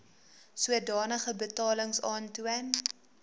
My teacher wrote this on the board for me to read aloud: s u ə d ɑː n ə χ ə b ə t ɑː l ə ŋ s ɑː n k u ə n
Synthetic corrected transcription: s u ə d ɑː n ə χ ə b ə t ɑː l ə ŋ s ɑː n t u ə n